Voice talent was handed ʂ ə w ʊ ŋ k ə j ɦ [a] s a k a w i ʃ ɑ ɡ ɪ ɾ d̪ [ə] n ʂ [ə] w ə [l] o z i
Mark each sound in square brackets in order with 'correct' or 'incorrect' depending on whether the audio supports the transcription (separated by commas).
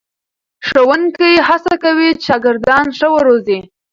correct, incorrect, correct, incorrect